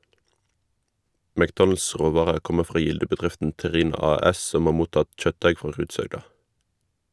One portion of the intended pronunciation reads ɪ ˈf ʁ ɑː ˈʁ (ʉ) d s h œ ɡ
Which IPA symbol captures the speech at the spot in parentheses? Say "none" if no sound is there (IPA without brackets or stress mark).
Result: ʉː